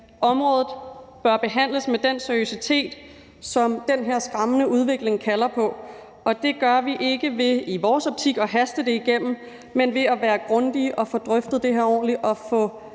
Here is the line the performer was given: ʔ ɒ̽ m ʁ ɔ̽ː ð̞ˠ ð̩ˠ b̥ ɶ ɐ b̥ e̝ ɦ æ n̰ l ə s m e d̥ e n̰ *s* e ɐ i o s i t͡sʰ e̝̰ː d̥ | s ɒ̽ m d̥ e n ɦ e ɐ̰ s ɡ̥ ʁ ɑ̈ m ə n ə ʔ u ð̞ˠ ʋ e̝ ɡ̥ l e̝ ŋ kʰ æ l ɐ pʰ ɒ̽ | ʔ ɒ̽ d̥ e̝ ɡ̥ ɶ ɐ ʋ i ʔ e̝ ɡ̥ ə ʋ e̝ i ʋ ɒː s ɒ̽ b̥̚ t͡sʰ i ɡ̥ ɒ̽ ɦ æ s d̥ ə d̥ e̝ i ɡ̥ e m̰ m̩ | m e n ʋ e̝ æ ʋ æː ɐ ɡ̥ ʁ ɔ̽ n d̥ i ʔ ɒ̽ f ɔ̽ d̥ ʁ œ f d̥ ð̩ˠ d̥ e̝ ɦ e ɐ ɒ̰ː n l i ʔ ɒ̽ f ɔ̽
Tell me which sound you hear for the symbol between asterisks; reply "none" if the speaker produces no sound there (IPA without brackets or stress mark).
s